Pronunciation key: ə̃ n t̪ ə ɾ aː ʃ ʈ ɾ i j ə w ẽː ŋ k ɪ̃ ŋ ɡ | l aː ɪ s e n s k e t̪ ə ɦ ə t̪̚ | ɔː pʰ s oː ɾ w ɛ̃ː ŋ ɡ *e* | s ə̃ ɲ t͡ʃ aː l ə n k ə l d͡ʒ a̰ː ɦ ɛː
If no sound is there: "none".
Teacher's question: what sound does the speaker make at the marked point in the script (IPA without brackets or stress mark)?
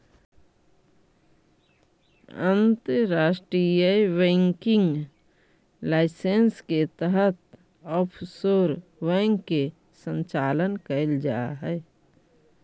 e